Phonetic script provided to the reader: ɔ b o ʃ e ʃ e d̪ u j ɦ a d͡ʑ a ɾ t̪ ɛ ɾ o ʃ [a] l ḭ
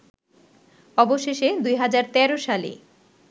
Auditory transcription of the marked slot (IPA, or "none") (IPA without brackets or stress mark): a